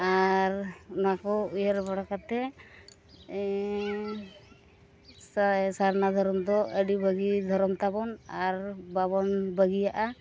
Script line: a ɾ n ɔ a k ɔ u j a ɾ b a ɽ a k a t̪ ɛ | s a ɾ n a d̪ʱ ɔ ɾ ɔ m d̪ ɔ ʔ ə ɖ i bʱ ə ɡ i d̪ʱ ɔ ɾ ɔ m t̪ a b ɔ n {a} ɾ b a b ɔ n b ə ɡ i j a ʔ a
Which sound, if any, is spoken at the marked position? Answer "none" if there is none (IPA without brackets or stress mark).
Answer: a